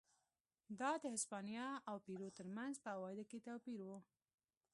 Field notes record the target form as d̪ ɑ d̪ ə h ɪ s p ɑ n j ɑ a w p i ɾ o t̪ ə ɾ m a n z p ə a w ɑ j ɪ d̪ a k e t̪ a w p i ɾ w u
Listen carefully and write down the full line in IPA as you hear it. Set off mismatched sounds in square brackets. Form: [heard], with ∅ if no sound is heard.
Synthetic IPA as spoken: d̪ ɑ d̪ ə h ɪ s p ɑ n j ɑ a w p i ɾ o t̪ ə ɾ m a n z p ə a w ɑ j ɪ d̪ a k e t̪ a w p i ɾ w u